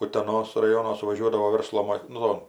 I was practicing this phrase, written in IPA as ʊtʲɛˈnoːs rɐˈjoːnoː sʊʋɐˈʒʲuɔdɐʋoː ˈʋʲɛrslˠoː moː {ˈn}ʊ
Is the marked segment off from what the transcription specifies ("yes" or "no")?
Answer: no